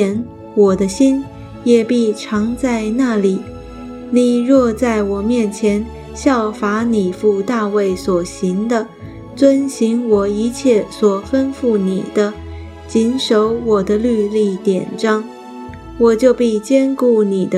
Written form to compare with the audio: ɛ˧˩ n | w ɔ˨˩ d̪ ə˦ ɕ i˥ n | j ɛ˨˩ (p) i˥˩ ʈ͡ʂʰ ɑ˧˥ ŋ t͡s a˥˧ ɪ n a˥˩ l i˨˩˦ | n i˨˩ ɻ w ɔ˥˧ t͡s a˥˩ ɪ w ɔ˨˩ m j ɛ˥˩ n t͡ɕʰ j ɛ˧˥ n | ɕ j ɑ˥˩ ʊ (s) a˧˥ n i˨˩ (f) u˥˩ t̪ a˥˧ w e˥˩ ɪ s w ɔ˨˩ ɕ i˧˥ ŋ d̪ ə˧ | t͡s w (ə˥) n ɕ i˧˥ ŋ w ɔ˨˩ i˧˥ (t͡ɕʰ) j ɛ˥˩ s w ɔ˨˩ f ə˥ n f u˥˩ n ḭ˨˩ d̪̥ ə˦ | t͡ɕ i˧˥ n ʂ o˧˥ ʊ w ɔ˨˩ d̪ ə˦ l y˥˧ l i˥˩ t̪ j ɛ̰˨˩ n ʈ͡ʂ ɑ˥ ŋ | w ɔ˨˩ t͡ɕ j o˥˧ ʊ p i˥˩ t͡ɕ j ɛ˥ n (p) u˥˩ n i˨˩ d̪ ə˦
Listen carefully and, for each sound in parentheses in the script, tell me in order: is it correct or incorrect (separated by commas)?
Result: correct, incorrect, correct, correct, correct, incorrect